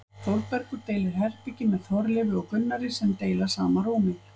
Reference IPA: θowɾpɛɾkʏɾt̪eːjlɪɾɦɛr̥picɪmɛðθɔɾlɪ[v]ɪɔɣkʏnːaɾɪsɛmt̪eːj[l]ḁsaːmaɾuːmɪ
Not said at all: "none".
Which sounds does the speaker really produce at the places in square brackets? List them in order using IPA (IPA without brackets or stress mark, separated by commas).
v, l